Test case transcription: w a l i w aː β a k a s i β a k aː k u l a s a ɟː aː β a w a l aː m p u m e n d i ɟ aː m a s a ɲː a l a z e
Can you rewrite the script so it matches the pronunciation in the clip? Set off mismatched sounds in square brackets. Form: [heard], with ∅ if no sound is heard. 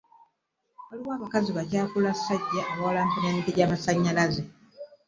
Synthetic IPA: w a l i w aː β a k a [z] i β a [c] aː k u l a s a ɟː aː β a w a l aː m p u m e n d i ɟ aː m a s a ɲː a l a z e